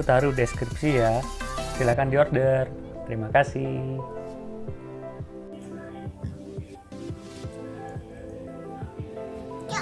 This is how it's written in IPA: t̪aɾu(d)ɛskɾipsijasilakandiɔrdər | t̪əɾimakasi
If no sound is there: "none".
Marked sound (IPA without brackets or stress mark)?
d